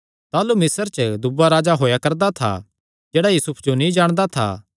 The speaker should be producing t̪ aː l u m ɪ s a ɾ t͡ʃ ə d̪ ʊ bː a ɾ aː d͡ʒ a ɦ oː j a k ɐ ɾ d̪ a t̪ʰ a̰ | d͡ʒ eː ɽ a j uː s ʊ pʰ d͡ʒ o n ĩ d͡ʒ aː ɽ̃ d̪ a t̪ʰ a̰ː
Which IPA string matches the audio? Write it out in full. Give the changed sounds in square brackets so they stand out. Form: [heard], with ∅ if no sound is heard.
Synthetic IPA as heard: t̪ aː l u m ɪ s [ə] ɾ t͡ʃ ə d̪ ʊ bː a ɾ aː d͡ʒ a ɦ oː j a k ɐ ɾ d̪ a t̪ʰ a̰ | d͡ʒ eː ɽ a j uː s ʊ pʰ d͡ʒ o n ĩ d͡ʒ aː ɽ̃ d̪ a t̪ʰ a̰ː